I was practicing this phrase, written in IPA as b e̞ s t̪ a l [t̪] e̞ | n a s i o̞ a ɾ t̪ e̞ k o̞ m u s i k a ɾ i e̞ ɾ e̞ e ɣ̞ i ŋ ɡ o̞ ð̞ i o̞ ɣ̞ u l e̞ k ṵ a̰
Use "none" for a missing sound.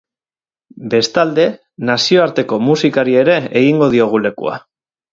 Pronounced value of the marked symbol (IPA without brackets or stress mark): d̪